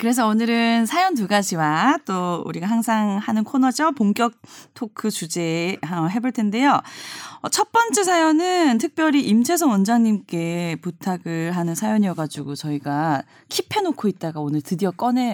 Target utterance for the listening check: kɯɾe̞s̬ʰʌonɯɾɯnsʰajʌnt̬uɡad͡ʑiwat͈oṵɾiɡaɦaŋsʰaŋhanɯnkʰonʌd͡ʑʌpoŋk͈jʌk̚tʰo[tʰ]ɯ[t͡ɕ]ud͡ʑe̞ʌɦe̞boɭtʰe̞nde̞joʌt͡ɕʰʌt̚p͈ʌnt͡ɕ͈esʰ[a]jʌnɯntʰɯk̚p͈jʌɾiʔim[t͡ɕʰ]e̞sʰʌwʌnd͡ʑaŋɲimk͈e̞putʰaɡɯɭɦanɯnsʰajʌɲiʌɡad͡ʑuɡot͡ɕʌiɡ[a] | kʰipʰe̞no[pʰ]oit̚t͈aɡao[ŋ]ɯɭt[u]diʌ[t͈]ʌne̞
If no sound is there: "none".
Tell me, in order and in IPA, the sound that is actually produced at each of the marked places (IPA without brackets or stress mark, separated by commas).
kʰ, t͡ɕ, a, t͡ɕʰ, a, kʰ, n, ɯ, k͈